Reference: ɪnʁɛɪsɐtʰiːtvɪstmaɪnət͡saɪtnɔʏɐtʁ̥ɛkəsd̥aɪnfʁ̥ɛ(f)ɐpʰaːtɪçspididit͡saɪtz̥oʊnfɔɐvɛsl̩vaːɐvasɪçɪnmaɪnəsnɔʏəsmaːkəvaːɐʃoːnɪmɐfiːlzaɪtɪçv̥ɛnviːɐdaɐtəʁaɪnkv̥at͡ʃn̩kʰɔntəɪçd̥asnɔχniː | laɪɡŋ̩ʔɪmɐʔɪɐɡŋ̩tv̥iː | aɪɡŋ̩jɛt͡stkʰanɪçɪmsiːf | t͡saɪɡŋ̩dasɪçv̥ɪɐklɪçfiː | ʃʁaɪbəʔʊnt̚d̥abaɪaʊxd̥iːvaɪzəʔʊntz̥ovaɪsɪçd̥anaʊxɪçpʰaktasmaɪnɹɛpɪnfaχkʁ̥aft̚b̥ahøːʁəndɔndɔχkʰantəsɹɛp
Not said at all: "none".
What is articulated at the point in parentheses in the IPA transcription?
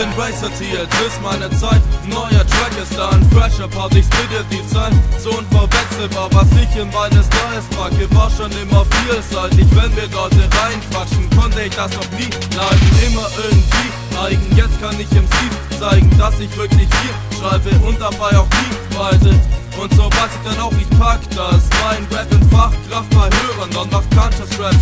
ʃ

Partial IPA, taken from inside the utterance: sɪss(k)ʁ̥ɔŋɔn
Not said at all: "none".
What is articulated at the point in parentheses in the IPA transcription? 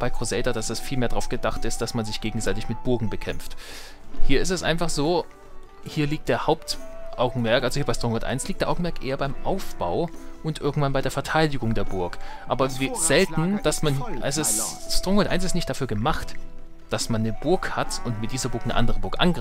t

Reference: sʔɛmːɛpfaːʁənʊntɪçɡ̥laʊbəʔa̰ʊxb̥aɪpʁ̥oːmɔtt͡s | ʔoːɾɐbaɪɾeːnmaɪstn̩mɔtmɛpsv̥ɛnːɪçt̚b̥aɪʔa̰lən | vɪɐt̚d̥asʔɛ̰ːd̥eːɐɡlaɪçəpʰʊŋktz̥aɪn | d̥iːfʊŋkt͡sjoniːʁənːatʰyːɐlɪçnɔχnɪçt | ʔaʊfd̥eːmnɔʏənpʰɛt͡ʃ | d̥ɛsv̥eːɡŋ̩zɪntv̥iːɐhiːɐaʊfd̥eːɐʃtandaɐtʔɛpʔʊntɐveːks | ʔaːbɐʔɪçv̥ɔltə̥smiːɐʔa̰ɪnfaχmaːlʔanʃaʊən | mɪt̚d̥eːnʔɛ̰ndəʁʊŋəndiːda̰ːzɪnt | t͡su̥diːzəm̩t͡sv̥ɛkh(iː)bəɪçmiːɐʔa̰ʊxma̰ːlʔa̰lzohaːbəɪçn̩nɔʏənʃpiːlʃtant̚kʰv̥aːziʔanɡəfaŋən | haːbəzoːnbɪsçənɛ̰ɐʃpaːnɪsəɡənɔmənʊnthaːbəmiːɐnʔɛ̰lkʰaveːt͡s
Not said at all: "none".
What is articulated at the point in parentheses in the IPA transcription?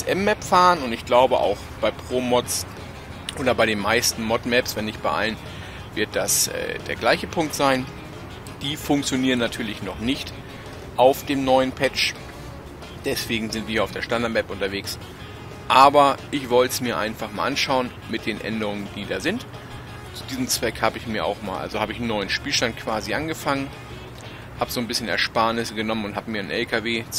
aː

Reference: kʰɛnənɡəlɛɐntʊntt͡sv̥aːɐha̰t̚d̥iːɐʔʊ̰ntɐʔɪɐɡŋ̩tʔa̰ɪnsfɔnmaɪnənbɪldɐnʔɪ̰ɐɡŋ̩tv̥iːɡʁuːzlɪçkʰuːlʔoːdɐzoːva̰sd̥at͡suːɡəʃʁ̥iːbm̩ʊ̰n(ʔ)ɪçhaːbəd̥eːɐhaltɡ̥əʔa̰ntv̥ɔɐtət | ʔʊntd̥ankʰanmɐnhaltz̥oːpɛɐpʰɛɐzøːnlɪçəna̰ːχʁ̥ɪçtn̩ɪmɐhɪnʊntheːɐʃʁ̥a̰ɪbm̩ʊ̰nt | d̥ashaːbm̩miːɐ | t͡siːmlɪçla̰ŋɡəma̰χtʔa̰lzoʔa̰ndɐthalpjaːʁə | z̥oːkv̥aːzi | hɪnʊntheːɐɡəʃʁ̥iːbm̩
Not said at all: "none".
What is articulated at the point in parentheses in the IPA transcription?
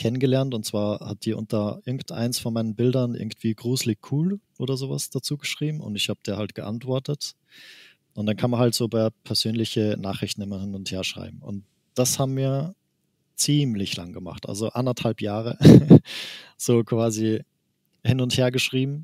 t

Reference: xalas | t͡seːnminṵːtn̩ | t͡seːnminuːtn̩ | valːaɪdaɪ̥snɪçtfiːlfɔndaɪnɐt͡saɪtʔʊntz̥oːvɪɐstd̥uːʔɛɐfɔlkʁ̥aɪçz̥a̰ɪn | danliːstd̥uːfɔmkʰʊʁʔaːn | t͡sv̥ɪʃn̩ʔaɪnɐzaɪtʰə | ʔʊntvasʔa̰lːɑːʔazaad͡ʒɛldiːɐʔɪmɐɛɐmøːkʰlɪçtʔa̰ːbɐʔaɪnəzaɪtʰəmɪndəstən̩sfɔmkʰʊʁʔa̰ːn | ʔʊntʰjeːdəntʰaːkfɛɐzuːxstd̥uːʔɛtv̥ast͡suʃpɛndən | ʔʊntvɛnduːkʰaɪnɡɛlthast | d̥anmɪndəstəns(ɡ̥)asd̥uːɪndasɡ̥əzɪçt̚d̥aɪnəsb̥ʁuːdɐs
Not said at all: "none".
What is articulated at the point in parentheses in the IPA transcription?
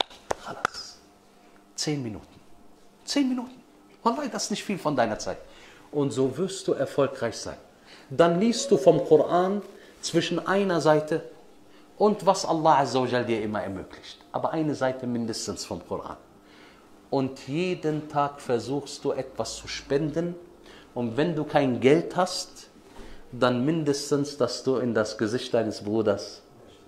d̥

